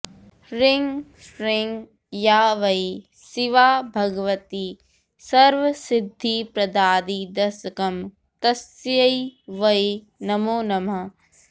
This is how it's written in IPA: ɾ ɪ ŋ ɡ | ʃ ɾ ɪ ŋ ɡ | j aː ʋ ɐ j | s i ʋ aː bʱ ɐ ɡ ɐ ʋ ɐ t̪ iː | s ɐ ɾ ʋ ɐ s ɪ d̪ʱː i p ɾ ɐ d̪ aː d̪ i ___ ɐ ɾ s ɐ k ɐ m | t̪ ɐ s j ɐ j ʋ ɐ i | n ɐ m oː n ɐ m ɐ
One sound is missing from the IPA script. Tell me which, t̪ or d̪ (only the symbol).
d̪